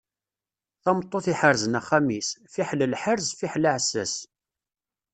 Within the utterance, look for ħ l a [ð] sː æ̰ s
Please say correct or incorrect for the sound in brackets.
incorrect